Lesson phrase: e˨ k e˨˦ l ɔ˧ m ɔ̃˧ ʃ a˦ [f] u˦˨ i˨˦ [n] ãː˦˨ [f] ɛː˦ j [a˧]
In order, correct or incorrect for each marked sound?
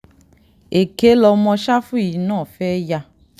correct, correct, correct, correct

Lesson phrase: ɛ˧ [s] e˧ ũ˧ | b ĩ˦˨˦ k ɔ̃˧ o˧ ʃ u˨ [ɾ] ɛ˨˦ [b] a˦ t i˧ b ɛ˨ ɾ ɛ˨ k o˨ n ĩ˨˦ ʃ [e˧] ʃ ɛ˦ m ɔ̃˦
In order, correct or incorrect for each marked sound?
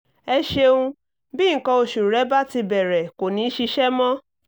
incorrect: ʃ, correct, correct, incorrect: i˧

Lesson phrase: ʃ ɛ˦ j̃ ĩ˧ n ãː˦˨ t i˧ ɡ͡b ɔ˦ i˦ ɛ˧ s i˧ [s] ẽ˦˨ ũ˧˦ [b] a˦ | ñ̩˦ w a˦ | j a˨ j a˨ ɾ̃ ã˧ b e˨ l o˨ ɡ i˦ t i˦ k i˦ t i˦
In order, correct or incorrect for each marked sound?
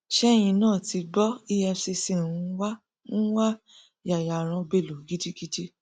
correct, incorrect: w

